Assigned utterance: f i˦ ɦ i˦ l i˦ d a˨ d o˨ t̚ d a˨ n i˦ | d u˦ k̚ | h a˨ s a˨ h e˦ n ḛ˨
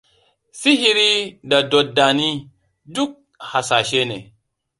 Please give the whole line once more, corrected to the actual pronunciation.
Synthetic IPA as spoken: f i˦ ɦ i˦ ɾ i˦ d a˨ d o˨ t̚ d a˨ n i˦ | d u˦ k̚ | h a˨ s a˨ ʃ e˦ n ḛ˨